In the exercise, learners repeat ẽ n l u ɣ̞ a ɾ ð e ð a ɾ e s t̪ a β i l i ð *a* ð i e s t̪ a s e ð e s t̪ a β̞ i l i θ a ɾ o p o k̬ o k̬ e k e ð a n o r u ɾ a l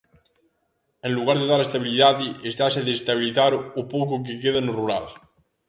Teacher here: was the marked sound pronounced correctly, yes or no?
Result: yes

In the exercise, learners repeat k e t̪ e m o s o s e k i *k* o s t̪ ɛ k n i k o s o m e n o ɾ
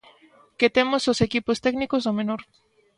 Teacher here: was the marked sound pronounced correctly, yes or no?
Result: no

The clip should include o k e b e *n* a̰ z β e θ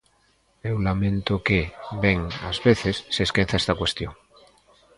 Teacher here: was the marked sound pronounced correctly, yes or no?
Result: no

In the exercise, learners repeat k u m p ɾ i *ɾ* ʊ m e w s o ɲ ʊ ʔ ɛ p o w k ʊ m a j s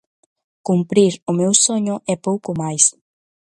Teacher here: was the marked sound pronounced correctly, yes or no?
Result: yes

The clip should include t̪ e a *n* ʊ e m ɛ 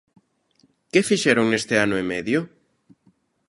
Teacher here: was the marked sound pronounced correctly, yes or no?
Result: yes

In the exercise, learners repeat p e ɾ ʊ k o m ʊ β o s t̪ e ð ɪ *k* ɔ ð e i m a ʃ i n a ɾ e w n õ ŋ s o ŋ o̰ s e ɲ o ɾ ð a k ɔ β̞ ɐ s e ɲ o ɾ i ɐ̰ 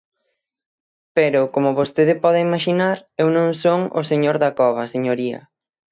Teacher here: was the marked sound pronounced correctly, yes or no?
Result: no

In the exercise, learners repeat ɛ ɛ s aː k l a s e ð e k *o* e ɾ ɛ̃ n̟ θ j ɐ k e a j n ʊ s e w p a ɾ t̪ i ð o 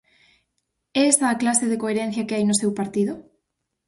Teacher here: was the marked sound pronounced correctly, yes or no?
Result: yes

